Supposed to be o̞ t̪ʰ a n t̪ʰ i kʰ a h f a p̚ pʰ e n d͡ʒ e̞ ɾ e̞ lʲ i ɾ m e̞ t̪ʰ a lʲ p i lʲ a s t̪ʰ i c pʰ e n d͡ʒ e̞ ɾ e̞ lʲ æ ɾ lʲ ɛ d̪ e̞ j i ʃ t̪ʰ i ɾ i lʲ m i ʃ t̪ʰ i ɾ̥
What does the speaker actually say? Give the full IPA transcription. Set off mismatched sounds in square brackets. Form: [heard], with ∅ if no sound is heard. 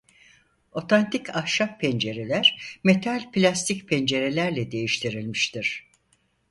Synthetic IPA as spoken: o̞ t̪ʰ a n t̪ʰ i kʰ a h [ʃ] a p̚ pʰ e n d͡ʒ e̞ ɾ e̞ lʲ [æ] ɾ m e̞ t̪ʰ a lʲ p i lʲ a s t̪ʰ i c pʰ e n d͡ʒ e̞ ɾ e̞ lʲ æ ɾ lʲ ɛ d̪ e̞ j i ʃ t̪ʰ i ɾ i lʲ m i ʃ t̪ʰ i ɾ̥